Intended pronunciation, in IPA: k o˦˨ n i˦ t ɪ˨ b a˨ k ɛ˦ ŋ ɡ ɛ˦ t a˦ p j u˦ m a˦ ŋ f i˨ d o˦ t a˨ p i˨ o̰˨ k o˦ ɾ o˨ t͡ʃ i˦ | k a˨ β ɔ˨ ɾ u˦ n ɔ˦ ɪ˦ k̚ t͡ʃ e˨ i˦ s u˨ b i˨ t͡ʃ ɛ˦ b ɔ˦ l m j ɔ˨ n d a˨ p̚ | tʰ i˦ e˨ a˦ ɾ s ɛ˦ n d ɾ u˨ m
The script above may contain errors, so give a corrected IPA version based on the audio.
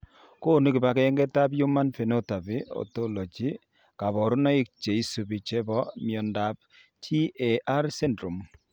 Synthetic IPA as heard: k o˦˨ n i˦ k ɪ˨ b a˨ k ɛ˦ ŋ ɡ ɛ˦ t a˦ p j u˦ m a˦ n f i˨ n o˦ t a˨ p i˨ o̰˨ t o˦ l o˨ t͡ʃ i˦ | k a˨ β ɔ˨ ɾ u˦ n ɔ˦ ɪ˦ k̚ t͡ʃ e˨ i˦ s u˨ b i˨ t͡ʃ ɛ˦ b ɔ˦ m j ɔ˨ n d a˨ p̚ | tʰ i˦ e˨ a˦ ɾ s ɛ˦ n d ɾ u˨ m

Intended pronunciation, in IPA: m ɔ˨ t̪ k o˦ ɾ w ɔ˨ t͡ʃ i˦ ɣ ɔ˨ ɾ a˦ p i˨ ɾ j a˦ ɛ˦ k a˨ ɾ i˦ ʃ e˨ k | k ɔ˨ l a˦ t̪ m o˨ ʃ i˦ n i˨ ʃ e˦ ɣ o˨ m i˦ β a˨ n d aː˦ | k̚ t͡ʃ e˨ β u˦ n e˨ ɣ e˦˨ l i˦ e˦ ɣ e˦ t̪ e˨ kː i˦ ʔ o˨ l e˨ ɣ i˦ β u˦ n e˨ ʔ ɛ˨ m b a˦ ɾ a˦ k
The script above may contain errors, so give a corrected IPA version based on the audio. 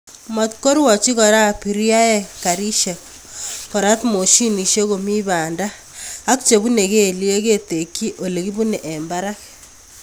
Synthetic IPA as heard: m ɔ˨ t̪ k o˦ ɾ w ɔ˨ t͡ʃ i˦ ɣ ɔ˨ ɾ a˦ p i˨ ɾ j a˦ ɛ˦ k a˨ ɾ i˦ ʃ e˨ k | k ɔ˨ ɾ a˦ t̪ m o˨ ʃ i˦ n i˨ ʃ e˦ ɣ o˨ m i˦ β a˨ n d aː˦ | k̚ t͡ʃ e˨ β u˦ n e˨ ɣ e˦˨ l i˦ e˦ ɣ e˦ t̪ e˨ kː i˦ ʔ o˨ l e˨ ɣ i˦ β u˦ n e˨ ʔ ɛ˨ m b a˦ ɾ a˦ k

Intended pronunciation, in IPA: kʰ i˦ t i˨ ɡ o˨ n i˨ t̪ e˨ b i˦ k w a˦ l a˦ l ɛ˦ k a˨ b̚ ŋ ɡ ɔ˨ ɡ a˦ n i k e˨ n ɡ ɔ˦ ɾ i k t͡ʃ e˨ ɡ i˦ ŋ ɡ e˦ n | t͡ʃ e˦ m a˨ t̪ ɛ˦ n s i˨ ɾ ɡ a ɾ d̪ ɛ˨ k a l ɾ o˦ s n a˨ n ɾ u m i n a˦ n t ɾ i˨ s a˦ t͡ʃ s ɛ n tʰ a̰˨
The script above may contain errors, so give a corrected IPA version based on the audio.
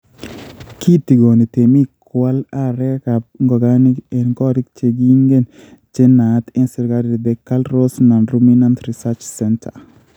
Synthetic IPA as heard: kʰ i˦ t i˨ ɡ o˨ n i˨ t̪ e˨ m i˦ k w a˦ l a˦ ɾ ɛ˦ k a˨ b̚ ŋ ɡ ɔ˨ ɡ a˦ n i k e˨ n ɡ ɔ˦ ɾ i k t͡ʃ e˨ ɡ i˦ ŋ ɡ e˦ n | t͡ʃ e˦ n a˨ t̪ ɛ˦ n s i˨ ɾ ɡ a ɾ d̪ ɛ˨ k a l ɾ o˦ s n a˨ n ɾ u m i n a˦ n t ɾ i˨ s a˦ t͡ʃ s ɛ n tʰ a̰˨

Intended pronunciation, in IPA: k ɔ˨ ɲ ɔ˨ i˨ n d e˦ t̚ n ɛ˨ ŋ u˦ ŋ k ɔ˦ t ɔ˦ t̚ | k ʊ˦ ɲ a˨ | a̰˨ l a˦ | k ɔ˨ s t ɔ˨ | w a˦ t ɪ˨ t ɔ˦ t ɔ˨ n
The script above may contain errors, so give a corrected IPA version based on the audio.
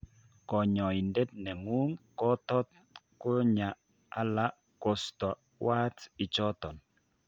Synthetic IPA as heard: k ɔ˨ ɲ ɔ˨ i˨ n d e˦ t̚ n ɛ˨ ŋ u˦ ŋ k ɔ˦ t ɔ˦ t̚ | k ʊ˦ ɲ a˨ | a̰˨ l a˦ | k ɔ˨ s t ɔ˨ | w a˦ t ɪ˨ t͡ʃ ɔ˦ t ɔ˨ n

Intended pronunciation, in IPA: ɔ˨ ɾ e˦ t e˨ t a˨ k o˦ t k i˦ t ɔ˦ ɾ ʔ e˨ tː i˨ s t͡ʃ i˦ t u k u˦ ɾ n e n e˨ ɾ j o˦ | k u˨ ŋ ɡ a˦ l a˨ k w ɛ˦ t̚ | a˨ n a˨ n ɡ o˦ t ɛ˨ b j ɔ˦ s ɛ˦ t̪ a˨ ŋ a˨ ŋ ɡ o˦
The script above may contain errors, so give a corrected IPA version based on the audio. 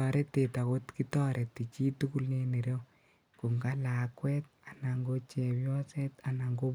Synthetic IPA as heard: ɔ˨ ɾ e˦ t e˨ t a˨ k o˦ t k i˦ t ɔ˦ ɾ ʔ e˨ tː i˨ t͡ʃ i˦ t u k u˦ l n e n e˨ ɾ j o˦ | k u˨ ŋ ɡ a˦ l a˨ k w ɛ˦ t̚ | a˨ n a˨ ŋ ɡ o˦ t͡ʃ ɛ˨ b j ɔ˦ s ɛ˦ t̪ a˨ n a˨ ŋ ɡ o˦

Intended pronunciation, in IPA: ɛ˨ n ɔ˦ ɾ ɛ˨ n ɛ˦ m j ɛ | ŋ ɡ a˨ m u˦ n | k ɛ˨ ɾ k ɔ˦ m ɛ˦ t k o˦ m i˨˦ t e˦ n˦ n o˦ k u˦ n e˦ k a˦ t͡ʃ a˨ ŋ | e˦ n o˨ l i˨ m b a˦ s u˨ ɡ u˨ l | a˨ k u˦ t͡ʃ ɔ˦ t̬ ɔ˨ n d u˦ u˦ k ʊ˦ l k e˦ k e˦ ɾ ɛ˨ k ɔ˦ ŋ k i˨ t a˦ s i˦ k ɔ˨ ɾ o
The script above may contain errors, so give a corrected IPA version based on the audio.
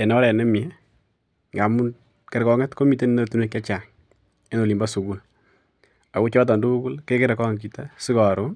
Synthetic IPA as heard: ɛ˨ n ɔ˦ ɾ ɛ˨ n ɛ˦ m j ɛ | ŋ ɡ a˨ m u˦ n | k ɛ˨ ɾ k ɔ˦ ŋ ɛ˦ t k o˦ m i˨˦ t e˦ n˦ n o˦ t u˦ n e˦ k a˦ t͡ʃ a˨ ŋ | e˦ n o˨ l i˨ m b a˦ s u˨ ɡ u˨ l | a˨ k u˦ t͡ʃ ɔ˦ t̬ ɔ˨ n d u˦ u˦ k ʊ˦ l k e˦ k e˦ ɾ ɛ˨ k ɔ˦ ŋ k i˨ t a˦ s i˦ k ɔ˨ ɾ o

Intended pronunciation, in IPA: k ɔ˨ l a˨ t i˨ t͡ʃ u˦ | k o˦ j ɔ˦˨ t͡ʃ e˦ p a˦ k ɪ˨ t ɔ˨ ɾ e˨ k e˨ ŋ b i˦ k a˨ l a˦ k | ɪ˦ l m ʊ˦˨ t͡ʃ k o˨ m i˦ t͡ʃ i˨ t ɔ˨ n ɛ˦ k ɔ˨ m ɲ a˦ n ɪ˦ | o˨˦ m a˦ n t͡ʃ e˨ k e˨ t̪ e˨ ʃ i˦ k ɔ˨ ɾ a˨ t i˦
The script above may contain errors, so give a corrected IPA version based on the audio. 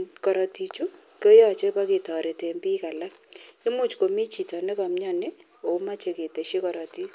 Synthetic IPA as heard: k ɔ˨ ɾ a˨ t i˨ t͡ʃ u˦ | k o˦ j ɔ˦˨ t͡ʃ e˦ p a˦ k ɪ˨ t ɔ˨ ɾ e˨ t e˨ m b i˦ k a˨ l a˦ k | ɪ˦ m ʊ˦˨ t͡ʃ k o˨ m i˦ t͡ʃ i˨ t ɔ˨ n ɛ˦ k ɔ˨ m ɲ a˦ n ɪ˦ | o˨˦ m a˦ t͡ʃ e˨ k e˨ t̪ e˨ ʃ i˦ k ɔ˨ ɾ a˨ t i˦

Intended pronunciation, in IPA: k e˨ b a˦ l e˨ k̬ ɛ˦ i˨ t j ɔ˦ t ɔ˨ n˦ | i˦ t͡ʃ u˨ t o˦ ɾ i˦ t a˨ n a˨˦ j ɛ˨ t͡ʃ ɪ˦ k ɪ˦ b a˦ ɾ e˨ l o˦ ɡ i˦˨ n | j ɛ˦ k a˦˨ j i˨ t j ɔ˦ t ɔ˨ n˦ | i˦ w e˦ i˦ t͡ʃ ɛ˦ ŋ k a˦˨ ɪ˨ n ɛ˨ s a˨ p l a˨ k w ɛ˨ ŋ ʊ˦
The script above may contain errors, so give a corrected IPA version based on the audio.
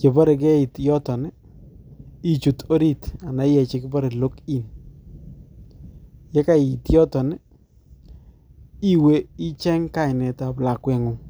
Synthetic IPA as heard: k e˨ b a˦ ɾ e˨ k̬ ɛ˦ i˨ t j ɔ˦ t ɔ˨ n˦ | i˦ t͡ʃ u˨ t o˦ ɾ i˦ t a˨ n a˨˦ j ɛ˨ t͡ʃ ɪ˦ k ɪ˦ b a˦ ɾ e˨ l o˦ k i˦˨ n | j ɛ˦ k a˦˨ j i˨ t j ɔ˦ t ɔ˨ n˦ | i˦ w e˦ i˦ t͡ʃ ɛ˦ ŋ k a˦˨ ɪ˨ n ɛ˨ t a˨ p l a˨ k w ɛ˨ ŋ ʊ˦

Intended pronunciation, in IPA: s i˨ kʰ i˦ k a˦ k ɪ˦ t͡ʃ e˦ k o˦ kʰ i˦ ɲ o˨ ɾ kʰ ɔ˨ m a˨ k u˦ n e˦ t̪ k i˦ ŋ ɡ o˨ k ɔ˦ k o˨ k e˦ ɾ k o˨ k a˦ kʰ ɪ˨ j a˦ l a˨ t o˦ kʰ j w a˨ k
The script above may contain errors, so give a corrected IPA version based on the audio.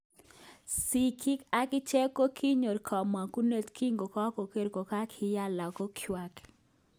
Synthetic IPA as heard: s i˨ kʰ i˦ k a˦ k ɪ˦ t͡ʃ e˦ k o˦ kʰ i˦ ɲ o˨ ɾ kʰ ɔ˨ m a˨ k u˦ n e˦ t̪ k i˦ ŋ ɡ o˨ k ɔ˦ k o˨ k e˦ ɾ k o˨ k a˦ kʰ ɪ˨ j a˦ l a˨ k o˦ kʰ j w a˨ k

